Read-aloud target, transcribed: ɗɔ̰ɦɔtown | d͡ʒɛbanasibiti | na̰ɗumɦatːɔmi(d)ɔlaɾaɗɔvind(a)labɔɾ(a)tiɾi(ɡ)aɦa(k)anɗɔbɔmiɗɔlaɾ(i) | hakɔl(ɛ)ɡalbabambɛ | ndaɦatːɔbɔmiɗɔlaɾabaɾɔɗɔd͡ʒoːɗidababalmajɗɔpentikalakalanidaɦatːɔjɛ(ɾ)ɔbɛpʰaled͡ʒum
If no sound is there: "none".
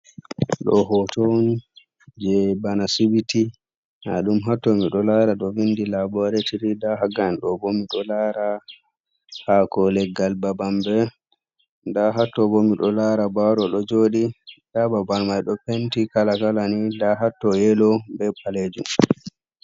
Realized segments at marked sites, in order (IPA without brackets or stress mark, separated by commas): ɗ, i, ɛ, d, ɡ, a, ɛ, l